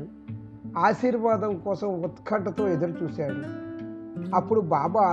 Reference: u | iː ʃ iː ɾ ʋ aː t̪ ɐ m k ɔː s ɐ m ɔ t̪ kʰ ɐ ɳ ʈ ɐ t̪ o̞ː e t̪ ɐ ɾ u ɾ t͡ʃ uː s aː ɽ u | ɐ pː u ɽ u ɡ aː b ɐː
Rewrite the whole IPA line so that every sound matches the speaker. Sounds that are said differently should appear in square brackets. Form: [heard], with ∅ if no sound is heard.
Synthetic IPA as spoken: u | [aː] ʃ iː ɾ ʋ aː [d̪] ɐ m k ɔː s ɐ m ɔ t̪ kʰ ɐ ɳ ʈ ɐ t̪ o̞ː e [d̪] ɐ ɾ u [∅] t͡ʃ uː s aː ɽ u | ɐ pː u ɽ u [b] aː b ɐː